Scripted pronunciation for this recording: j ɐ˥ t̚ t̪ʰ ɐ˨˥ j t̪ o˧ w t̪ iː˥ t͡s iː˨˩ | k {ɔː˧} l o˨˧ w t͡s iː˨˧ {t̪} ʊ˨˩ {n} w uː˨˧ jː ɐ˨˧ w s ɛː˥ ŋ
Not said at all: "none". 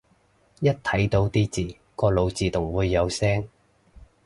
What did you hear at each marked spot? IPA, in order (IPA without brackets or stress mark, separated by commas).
ɔː˧, t̪, ŋ